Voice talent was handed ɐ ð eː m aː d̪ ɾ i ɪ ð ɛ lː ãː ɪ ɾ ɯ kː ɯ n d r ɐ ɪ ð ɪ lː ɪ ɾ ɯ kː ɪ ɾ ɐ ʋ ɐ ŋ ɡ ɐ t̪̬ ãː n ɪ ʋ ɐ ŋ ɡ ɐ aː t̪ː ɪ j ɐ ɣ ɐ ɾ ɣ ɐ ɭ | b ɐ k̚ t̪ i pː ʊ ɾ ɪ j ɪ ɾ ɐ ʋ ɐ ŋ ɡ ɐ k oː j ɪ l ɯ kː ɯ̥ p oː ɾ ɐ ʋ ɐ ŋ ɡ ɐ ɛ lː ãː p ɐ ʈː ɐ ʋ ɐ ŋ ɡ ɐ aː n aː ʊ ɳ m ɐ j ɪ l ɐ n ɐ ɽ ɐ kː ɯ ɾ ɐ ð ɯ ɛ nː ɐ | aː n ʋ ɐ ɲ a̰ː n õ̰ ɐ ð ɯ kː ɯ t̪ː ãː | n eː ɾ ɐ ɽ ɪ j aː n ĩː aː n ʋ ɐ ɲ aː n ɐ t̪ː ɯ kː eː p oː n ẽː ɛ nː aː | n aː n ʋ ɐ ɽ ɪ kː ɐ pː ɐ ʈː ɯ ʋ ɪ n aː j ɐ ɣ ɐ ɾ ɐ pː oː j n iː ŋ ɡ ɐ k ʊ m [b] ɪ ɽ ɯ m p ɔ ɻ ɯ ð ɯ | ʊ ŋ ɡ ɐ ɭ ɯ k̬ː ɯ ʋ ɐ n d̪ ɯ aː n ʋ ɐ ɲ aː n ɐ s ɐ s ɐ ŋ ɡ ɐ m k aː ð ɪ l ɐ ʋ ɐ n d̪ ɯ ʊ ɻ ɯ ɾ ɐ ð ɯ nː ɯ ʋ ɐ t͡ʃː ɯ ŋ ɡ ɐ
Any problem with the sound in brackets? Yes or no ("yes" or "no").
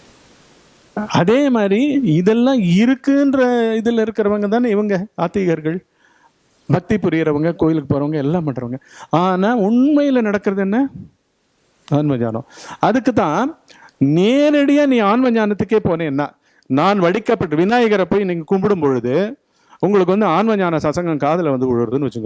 no